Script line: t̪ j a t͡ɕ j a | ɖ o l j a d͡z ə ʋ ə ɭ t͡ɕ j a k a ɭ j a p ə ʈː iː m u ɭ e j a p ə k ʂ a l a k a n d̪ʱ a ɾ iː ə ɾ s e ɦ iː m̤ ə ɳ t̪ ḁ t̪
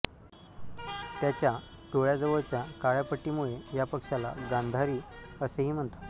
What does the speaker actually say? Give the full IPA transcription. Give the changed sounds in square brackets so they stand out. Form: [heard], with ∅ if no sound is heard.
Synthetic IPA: t̪ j a t͡ɕ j a | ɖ o [ɭ] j a d͡z ə ʋ ə ɭ t͡ɕ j a k a ɭ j a p ə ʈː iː m u ɭ e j a p ə k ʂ a l a [ɡ] a n d̪ʱ a ɾ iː ə [∅] s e ɦ iː m̤ ə ɳ t̪ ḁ t̪

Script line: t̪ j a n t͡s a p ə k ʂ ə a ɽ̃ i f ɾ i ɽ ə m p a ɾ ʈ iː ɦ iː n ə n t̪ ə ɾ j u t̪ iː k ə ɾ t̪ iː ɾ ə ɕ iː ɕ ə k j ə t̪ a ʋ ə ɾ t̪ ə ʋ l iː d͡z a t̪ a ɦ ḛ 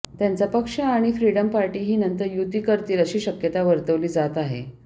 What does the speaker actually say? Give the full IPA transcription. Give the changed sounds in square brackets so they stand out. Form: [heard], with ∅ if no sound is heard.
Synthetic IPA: t̪ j a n t͡s a p ə k ʂ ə a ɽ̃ i f ɾ i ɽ ə m p a ɾ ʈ iː ɦ iː n ə n t̪ ə ɾ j u t̪ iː k ə ɾ t̪ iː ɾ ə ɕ iː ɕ ə k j ə t̪ a ʋ ə ɾ t̪ ə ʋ l iː d͡z a t̪ a ɦ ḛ

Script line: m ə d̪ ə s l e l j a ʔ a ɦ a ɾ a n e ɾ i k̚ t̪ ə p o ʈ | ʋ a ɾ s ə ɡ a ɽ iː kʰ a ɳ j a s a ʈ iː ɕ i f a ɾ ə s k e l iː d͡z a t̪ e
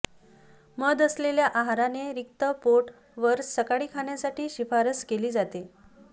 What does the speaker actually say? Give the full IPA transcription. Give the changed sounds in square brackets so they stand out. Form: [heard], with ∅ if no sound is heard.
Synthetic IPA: m ə d̪ ə s l e l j a ʔ a ɦ a ɾ a n e ɾ i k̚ t̪ ə p o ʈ | ʋ [ə] ɾ s ə [k] a ɽ iː kʰ a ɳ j a s a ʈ iː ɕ i f a ɾ ə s k e l iː d͡z a t̪ e

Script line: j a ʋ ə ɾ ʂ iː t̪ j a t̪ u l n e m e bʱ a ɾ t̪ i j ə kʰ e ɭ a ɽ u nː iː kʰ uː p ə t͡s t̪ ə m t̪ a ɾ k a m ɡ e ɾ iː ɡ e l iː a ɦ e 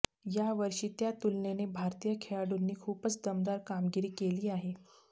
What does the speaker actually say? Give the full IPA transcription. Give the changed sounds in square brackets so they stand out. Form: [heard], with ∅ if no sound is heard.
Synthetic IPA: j a ʋ ə ɾ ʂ iː t̪ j a t̪ u l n e [n] e bʱ a ɾ t̪ i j ə kʰ e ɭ a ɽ u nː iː kʰ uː p ə t͡s [d̪] ə m [d̪] a ɾ k a m ɡ [i] ɾ iː [k] e l iː a ɦ e

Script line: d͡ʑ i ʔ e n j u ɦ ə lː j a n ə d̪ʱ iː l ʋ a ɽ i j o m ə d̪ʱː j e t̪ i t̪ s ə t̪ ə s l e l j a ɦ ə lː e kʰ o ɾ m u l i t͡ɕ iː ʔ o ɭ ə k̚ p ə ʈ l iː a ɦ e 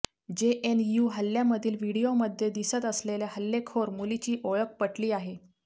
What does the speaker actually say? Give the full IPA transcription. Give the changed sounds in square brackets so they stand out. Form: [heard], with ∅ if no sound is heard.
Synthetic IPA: d͡ʑ [e] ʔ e n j u ɦ ə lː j a [m] ə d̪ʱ iː l ʋ [i] ɽ i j o m ə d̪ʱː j e [d̪] i [∅] s ə t̪ ə s l e l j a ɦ ə lː e kʰ o ɾ m u l i t͡ɕ iː ʔ o ɭ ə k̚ p ə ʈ l iː a ɦ e

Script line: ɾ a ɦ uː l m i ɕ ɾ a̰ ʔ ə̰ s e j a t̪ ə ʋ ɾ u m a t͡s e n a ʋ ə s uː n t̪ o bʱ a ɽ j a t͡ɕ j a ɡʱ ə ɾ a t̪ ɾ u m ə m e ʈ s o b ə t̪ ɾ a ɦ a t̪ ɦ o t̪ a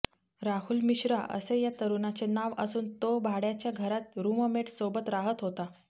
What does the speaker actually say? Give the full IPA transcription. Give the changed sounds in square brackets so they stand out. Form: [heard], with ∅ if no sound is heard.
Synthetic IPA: ɾ a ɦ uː l m i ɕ ɾ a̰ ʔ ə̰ s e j a t̪ ə [∅] ɾ u [n] a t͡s e n a ʋ ə s uː n t̪ o bʱ a ɽ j a t͡ɕ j a ɡʱ ə ɾ a t̪ ɾ u m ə m e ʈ s o b ə t̪ ɾ a ɦ [ə] t̪ ɦ o t̪ a

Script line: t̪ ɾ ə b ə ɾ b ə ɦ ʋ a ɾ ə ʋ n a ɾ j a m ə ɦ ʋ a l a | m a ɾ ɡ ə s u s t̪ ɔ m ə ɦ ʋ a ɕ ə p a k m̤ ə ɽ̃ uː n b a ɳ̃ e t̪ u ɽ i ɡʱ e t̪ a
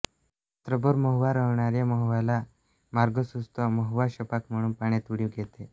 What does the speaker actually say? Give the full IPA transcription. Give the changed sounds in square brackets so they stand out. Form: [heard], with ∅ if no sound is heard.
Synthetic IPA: t̪ ɾ ə b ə ɾ [m] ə ɦ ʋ a ɾ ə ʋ [ɳ] a ɾ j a m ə ɦ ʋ a l a | m a ɾ ɡ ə s u s t̪ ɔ m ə ɦ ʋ a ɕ ə p a k m̤ ə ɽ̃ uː n [p] a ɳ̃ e t̪ u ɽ i ɡʱ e t̪ [e]

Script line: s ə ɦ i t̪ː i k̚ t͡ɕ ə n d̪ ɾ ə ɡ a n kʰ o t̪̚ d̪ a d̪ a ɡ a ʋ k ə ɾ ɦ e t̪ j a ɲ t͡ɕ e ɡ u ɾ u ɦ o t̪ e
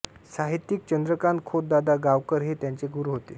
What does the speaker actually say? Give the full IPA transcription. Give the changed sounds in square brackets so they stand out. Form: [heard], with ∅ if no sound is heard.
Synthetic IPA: s [a] ɦ i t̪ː i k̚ t͡ɕ ə n d̪ ɾ ə [k] a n kʰ o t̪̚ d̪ a d̪ a ɡ a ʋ k ə ɾ ɦ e t̪ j a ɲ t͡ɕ e ɡ u ɾ u ɦ o t̪ e

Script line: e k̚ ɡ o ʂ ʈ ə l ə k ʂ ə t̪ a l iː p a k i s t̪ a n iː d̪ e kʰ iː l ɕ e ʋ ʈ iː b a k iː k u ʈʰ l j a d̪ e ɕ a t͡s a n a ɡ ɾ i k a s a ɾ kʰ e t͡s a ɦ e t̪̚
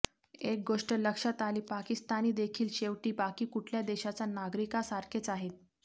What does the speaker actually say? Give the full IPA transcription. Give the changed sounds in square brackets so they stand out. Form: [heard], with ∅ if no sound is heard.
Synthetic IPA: e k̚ ɡ o ʂ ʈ ə l ə k ʂ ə t̪ a l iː p a k i s t̪ a n iː d̪ e kʰ iː l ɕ e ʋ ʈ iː b a k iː k u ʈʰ l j a d̪ e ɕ a t͡s a n a ɡ ɾ i k a s a ɾ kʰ e t͡s a ɦ e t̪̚

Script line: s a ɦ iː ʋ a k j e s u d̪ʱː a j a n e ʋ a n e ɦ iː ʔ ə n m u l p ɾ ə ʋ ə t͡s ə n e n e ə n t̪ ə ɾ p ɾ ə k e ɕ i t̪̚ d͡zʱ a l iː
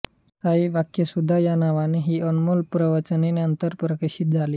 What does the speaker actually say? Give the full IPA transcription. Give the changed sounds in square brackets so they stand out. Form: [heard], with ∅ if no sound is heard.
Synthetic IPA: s a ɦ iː ʋ a k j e s u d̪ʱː a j a n [a] ʋ a n e ɦ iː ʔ ə n m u l p ɾ ə ʋ ə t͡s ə n e n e ə n t̪ ə ɾ p ɾ ə k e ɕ i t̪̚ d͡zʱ a l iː

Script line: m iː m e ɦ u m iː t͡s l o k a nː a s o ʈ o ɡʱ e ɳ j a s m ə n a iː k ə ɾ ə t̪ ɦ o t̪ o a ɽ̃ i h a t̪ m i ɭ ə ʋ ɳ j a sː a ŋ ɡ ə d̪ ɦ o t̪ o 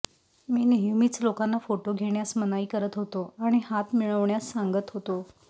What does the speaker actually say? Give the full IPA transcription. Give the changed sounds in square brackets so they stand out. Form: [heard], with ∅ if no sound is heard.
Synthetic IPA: m iː [n] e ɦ u m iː t͡s l o k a nː a [f] o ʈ o ɡʱ e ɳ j a s m ə n a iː k ə ɾ ə t̪ ɦ o t̪ o a ɽ̃ i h a t̪ m i ɭ ə ʋ ɳ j a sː a ŋ ɡ ə [t̪] ɦ o t̪ o

